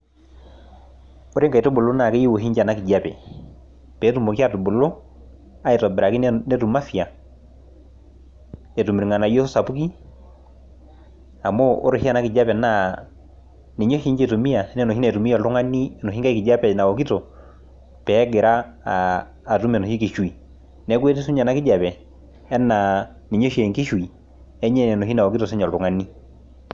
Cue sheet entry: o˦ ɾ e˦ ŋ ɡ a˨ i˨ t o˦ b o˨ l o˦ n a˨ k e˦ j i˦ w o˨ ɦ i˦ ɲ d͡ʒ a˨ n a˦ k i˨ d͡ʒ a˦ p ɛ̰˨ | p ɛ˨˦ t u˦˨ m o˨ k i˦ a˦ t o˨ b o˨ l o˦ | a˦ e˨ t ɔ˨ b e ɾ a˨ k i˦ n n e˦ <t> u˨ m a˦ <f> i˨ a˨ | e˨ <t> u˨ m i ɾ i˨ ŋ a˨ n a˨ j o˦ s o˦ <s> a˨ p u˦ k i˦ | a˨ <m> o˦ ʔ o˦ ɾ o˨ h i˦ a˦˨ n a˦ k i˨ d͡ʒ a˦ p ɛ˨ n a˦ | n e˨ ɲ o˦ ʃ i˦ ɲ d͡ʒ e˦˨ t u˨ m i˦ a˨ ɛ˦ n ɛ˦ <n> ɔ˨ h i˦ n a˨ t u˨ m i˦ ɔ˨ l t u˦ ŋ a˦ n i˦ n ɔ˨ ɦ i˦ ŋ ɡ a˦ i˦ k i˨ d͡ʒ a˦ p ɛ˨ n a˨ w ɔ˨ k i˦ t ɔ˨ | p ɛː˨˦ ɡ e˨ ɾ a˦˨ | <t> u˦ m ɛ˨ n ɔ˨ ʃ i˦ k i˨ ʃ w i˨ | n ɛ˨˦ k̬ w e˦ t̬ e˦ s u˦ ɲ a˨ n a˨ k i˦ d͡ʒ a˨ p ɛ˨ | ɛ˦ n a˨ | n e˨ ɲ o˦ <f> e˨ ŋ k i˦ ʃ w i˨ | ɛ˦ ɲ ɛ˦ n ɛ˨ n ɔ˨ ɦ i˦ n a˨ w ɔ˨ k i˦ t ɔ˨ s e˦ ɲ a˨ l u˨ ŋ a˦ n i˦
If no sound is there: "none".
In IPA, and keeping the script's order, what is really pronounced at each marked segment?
t, f, t, s, m, n, t, ʃ

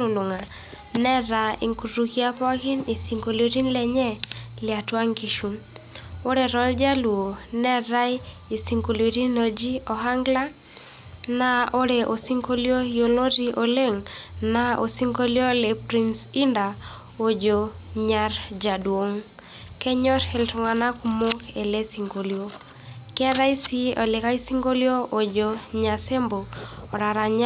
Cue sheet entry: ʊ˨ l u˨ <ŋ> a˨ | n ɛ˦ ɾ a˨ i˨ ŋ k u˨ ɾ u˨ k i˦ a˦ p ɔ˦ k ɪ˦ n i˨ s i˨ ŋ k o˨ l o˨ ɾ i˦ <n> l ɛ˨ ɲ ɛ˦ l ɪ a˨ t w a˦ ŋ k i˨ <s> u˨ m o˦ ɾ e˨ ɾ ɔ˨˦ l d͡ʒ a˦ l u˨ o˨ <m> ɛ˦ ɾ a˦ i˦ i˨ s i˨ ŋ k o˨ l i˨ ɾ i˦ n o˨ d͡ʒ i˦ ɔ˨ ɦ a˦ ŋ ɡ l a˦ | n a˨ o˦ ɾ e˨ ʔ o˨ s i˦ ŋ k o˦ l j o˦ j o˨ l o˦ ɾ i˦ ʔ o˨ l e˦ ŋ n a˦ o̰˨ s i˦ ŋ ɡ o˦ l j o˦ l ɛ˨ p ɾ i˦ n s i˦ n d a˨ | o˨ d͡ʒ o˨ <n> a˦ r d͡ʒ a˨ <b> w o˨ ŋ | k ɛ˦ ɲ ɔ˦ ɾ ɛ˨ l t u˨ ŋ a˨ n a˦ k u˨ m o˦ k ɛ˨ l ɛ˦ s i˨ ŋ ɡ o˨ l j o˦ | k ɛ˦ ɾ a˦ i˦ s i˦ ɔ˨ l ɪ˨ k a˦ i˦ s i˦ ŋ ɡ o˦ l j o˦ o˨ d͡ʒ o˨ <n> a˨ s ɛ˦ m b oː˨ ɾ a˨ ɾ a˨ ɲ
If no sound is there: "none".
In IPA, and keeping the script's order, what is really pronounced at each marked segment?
ŋ, n, ʃ, n, ɲ, d, ɲ

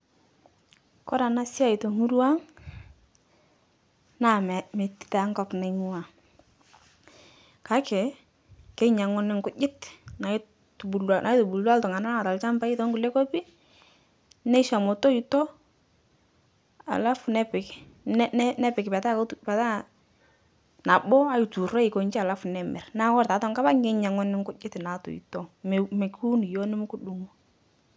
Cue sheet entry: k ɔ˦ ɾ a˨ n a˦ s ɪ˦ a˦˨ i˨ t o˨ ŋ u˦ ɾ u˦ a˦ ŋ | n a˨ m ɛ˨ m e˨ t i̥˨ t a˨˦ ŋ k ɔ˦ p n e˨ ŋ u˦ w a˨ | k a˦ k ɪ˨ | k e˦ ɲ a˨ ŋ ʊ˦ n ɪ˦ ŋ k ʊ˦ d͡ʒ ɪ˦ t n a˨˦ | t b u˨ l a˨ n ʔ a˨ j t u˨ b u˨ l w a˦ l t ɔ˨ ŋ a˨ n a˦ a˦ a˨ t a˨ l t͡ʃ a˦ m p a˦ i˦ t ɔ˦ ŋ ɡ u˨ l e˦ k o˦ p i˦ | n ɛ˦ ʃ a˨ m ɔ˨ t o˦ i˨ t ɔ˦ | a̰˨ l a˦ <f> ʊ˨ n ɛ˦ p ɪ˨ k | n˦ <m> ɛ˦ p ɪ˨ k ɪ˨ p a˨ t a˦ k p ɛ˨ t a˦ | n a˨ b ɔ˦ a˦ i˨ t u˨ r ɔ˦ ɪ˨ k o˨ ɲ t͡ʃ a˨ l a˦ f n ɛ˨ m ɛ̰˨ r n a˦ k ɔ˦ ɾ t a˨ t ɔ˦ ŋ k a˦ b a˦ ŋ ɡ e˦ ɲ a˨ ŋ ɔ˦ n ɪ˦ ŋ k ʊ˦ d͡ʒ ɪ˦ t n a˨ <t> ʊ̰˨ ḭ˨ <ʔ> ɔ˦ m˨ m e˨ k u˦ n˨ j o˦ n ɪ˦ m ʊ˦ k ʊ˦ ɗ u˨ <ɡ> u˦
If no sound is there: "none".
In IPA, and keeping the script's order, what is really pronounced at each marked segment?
f, n, t, t, ŋ

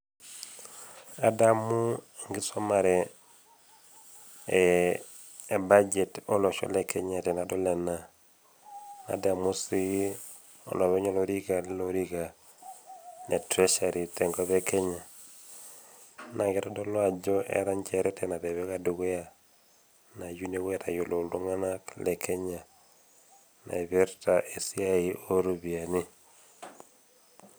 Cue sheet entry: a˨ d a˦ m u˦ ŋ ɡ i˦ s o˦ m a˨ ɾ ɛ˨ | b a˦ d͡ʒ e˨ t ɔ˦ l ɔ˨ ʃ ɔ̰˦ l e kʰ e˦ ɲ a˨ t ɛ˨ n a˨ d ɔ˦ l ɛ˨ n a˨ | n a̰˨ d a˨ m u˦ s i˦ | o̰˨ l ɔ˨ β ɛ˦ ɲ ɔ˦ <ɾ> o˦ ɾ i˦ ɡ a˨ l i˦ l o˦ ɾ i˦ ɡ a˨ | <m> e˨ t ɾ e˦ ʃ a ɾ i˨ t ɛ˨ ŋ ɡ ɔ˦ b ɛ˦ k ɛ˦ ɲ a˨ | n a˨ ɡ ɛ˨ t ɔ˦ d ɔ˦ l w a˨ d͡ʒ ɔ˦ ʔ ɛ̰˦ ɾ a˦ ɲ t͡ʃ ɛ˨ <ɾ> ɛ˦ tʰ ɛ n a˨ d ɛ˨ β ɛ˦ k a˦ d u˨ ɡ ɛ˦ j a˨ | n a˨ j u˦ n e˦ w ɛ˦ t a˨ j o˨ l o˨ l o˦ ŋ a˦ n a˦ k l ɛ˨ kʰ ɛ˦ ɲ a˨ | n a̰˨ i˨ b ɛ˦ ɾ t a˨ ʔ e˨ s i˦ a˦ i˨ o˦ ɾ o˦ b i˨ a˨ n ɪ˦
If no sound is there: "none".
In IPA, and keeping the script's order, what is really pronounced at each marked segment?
l, n, ɾ

